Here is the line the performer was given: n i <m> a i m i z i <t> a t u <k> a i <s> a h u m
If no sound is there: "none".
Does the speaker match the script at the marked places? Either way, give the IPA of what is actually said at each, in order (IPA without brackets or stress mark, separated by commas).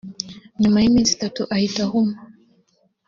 m, t, ʔ, t